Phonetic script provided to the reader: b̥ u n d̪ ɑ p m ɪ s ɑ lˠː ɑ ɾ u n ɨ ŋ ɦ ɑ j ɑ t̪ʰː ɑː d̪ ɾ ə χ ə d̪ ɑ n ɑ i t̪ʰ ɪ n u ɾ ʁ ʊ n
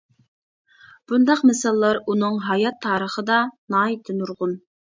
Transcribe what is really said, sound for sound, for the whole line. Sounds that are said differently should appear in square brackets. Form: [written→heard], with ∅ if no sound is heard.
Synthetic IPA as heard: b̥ u n d̪ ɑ [p→q] m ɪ s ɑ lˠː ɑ ɾ u n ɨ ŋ ɦ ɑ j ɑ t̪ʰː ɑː [d̪→∅] ɾ ə χ ə d̪ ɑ n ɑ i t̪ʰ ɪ n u ɾ ʁ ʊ n